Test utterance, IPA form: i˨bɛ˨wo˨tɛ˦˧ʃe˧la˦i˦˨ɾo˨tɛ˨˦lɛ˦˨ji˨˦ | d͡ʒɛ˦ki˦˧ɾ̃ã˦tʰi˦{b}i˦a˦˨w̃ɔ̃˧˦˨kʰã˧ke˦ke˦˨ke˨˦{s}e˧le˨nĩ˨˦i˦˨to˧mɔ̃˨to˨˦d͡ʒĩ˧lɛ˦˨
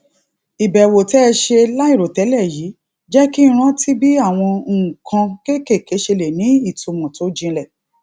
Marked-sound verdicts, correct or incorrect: correct, incorrect

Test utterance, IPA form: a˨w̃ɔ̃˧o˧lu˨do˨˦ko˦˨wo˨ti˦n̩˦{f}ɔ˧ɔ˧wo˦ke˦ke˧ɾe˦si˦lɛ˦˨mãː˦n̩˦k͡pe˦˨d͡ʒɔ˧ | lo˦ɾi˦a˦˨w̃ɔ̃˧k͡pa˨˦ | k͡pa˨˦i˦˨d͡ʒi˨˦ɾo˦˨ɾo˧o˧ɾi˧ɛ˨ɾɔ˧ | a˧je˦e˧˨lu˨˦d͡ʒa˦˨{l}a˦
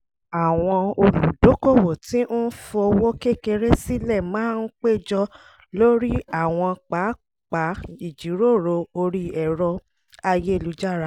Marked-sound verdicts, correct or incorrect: correct, incorrect

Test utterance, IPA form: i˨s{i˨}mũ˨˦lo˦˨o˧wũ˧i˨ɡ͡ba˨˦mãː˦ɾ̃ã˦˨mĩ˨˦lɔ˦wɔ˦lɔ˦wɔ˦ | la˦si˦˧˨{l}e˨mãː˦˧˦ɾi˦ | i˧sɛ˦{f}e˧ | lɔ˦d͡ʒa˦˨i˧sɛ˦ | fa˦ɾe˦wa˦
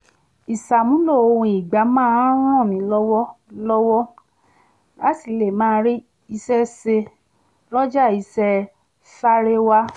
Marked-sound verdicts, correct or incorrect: incorrect, correct, incorrect

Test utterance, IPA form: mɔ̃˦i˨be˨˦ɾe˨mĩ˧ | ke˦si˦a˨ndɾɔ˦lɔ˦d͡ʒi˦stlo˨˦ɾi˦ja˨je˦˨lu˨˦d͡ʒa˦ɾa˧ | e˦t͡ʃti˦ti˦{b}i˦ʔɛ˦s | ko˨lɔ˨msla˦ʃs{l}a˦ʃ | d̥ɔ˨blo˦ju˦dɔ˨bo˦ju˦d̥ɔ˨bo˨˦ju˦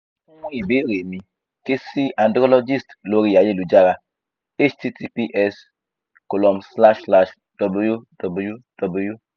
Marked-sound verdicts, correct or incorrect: incorrect, correct

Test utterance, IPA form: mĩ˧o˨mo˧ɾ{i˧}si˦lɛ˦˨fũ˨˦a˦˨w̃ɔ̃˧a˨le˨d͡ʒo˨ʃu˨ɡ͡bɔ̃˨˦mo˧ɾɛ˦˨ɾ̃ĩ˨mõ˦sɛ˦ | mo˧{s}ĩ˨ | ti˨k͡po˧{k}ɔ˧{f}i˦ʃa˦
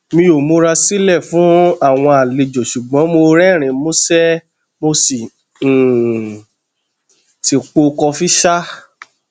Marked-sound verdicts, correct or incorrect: incorrect, correct, correct, correct

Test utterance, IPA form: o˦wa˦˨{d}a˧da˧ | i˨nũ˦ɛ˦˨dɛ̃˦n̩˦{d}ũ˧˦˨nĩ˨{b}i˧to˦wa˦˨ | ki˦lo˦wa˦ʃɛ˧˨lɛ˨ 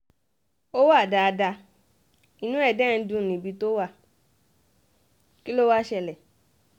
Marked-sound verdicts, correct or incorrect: correct, correct, correct

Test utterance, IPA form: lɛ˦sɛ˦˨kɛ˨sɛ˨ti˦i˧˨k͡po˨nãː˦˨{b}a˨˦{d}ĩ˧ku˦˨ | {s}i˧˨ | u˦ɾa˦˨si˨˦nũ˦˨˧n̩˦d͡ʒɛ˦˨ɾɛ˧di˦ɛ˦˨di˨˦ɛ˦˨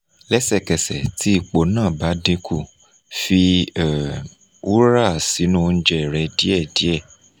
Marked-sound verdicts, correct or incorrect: correct, correct, incorrect

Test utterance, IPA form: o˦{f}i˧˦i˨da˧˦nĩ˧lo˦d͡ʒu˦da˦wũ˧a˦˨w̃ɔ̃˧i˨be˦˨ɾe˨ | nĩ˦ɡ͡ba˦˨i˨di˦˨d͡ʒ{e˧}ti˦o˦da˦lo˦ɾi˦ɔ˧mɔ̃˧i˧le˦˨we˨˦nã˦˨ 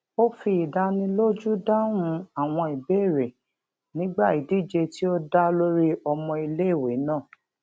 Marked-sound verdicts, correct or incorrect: correct, correct

